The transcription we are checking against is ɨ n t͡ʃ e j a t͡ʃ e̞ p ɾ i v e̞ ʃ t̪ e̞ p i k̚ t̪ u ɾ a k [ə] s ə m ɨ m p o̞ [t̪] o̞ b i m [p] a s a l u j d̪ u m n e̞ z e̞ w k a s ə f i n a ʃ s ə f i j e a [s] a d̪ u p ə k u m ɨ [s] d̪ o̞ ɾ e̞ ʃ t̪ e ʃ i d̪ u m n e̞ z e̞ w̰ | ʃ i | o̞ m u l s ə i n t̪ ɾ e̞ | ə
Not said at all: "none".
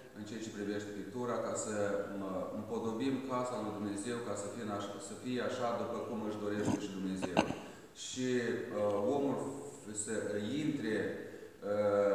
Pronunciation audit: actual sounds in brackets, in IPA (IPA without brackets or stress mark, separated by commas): a, d̪, k, ʃ, ʃ